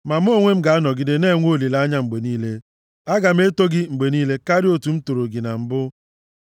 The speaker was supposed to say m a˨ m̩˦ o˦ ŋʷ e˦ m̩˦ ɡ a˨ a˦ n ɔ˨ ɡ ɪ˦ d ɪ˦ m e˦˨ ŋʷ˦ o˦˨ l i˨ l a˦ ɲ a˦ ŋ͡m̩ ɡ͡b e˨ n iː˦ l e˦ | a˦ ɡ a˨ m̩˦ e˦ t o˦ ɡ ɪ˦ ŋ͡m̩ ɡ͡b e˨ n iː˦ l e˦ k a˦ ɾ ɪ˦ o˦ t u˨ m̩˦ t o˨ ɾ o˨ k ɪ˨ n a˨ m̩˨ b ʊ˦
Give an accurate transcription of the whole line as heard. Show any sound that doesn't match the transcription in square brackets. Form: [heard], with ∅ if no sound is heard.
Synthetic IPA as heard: m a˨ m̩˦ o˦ ŋʷ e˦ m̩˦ ɡ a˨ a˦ n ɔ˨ ɡ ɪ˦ d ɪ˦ [n] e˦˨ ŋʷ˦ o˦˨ l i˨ l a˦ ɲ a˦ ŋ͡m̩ ɡ͡b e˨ n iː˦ l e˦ | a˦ ɡ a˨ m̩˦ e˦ t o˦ ɡ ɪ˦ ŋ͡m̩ ɡ͡b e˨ n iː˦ l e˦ k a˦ ɾ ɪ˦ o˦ t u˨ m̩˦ t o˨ ɾ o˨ [ɡ] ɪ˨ n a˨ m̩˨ b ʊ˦